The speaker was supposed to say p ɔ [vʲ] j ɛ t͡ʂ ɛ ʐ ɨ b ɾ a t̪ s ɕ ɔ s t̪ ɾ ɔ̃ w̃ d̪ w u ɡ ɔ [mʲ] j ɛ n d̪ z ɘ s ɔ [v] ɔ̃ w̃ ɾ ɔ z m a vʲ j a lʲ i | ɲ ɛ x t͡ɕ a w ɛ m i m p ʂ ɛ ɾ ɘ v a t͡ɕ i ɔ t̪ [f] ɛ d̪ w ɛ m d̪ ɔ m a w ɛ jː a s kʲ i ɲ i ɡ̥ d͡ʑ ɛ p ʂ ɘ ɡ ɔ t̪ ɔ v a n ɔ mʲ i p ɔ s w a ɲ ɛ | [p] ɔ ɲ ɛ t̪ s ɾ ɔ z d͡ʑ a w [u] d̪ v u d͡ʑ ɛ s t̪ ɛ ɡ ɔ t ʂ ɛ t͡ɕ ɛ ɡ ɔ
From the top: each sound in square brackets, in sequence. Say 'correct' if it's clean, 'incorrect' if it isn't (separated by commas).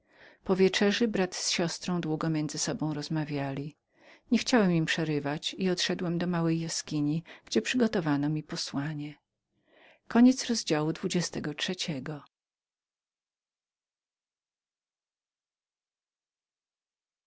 correct, correct, incorrect, incorrect, incorrect, correct